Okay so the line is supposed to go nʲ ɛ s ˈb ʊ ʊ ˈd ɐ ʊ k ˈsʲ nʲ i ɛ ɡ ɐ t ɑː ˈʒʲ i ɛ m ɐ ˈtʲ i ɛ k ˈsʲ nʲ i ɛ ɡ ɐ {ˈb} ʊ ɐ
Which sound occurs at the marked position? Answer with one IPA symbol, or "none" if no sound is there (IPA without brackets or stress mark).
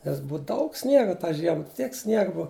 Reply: b